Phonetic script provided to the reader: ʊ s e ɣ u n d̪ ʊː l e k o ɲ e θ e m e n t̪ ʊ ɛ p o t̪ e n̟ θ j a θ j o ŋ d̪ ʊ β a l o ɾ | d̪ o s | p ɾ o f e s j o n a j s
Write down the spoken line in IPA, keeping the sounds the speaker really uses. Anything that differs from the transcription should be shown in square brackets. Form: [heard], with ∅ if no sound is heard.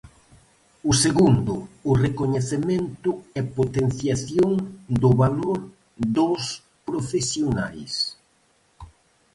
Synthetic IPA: ʊ s e ɣ u n d̪ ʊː [r] e k o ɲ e θ e m e n t̪ ʊ ɛ p o t̪ e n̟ θ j a θ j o ŋ d̪ ʊ β a l o ɾ | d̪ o s | p ɾ o f e s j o n a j s

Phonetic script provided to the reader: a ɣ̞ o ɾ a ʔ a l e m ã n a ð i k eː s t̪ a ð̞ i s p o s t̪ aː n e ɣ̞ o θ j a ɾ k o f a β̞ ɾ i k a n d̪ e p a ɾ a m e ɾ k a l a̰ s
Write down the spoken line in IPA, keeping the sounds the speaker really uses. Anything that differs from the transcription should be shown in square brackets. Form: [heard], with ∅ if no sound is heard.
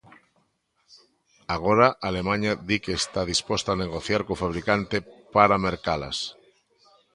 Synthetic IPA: a ɣ̞ o ɾ a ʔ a l e m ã [ɲ] a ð i k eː s t̪ a ð̞ i s p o s t̪ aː n e ɣ̞ o θ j a ɾ k o f a β̞ ɾ i k a n [t̪] e p a ɾ a m e ɾ k a l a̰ s

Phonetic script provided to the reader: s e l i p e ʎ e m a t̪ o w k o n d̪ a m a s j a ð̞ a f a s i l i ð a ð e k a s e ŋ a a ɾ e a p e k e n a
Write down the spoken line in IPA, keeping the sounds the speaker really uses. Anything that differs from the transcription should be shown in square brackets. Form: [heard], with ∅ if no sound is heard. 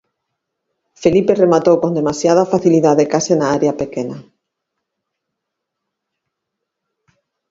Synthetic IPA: [f] e l i p e [r] e m a t̪ o w k o n d̪ [e] m a s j a ð̞ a f a [θ] i l i ð a ð e k a s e [n] a a ɾ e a p e k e n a

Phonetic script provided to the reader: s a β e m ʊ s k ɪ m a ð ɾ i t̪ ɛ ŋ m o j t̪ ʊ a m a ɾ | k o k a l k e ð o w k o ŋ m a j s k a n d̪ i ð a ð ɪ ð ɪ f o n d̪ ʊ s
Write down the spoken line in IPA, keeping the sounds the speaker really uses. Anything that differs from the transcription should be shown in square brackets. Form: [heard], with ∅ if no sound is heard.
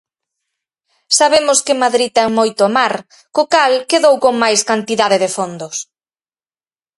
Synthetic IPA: s a β e m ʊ s k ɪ m a ð ɾ i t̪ ɛ ŋ m o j t̪ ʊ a m a ɾ | k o k a l k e ð o w k o ŋ m a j s k a n [t̪] i ð a ð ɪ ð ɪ f o n d̪ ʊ s

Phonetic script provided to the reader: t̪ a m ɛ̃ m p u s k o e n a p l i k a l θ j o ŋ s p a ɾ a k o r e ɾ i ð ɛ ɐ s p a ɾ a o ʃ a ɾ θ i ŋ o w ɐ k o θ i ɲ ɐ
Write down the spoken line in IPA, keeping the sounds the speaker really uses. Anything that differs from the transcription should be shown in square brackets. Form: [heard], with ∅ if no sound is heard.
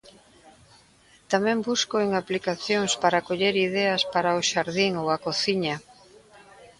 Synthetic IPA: t̪ a m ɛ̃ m [b] u s k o e [ŋ] a p l i k a [∅] θ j o ŋ s p a ɾ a k o [ʎ] e ɾ i ð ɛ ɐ s p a ɾ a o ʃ a ɾ [ð] i ŋ o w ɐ k o θ i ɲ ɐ

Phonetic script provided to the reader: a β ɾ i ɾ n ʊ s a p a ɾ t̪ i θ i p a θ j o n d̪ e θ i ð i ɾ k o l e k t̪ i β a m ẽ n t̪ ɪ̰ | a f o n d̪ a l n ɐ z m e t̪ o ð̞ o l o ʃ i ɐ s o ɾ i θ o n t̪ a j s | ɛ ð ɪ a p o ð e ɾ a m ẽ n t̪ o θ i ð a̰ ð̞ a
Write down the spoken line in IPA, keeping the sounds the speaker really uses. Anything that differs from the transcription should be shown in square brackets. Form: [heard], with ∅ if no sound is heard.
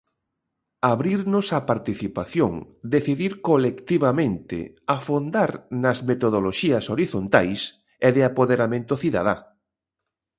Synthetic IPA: a β ɾ i ɾ n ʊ s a p a ɾ t̪ i θ i p a θ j o [ŋ] d̪ e θ i ð i ɾ k o l e k t̪ i β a m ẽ n t̪ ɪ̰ | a f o n d̪ a [ɾ] n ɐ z m e t̪ o ð̞ o l o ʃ i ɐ s o ɾ i θ o n t̪ a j s | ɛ ð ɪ a p o ð e ɾ a m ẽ n t̪ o θ i ð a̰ ð̞ a

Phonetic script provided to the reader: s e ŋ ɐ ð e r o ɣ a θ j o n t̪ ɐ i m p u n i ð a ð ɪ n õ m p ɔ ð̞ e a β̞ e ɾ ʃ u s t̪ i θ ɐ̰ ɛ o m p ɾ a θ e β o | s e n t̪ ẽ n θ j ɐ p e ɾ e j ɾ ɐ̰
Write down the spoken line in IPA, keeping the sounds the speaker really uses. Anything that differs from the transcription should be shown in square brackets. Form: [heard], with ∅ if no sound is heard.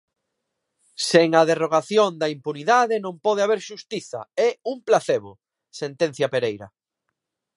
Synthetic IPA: s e ŋ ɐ ð e r o ɣ a θ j o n [d̪] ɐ i m p u n i ð a ð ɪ n õ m p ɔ ð̞ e a β̞ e ɾ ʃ u s t̪ i θ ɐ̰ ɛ [u] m p [l] a θ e β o | s e n t̪ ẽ n θ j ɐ p e ɾ e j ɾ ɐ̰

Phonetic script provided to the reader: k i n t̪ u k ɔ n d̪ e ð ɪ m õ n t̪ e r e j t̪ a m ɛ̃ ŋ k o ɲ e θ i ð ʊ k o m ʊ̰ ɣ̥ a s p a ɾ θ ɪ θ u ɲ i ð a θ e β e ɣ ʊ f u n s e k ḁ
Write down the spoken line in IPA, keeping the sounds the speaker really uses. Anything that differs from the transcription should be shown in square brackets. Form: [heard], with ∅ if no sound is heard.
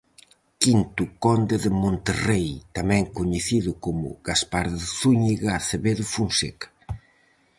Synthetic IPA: k i n t̪ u k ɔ n d̪ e ð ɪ m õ n t̪ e r e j t̪ a m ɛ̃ ŋ k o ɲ e θ i ð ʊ k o m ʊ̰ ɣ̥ a s p a ɾ [ð] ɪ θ u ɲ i [ɣ] a θ e β e [ð] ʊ f u n s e k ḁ

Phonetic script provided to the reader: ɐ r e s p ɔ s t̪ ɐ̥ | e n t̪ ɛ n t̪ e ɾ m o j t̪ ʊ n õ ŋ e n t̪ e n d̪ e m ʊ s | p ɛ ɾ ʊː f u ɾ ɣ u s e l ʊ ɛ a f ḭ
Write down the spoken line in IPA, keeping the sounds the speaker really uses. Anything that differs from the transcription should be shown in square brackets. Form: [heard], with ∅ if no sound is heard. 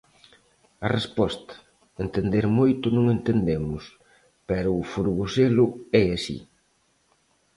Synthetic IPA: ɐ r e s p ɔ s t̪ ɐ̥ | e n t̪ [e] n [d̪] e ɾ m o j t̪ ʊ n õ ŋ e n t̪ e n d̪ e m ʊ s | p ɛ ɾ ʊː f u ɾ ɣ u s e l ʊ ɛ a [s] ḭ

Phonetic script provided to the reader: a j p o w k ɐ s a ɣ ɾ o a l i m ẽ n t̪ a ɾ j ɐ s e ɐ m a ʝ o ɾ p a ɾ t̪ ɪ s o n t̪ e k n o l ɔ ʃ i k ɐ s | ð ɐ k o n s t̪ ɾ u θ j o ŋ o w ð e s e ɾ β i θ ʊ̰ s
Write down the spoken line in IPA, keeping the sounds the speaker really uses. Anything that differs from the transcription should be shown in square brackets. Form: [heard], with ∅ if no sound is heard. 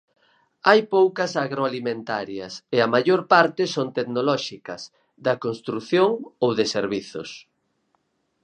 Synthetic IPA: a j p o w k ɐ s a ɣ ɾ o a l i m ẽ n t̪ a ɾ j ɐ s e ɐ m a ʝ o ɾ p a ɾ t̪ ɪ s o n t̪ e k n o l ɔ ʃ i k ɐ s | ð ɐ k o n s t̪ ɾ u θ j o ŋ o w ð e s e ɾ β i θ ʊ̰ s

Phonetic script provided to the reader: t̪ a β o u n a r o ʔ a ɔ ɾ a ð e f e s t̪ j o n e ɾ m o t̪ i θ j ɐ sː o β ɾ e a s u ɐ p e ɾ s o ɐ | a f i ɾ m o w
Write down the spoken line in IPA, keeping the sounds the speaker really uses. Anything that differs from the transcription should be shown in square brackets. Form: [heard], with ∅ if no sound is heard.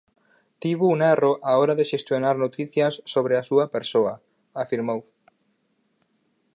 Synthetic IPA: t̪ [i] β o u n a r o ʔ a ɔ ɾ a ð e [ʃ] e s t̪ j o n [a] ɾ [n] o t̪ i θ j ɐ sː o β ɾ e a s u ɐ p e ɾ s o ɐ | a f i ɾ m o w

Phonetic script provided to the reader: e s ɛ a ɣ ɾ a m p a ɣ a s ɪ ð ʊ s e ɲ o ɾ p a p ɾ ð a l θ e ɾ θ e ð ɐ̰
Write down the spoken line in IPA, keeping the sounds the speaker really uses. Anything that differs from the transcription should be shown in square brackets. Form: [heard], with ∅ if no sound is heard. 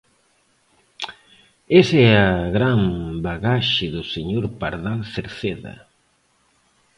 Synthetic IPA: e s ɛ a ɣ ɾ a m [b] a ɣ a [ʃ] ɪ ð ʊ s e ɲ o ɾ p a [∅] ɾ ð a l θ e ɾ θ e ð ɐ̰

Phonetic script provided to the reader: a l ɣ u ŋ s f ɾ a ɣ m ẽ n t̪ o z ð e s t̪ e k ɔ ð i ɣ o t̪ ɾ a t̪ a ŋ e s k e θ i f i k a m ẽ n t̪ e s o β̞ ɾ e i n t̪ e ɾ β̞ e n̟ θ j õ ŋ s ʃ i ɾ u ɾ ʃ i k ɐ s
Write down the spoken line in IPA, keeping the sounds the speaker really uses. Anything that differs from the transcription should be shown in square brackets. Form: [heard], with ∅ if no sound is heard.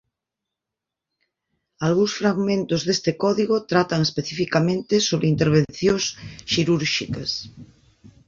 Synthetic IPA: a l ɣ u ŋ s f ɾ a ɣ m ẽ n t̪ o z ð e s t̪ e k ɔ ð i ɣ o t̪ ɾ a t̪ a ŋ e s [p] e θ i f i k a m ẽ n t̪ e s o β̞ ɾ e i n t̪ e ɾ β̞ e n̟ θ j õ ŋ s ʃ i ɾ u ɾ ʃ i k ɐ s

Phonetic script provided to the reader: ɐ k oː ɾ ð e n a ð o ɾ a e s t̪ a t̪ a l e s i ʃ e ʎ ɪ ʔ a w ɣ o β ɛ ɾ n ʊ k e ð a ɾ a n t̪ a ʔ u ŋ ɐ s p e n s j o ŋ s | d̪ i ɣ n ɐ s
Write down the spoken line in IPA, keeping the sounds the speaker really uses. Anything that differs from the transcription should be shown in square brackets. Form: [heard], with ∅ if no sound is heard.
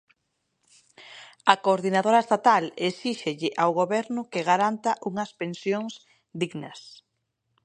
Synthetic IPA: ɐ k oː ɾ ð [i] n a ð o ɾ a e s t̪ a t̪ a l e s i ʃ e ʎ ɪ ʔ a w ɣ o β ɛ ɾ n ʊ k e [ɣ] a ɾ a n t̪ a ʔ u ŋ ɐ s p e n s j o ŋ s | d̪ i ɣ n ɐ s

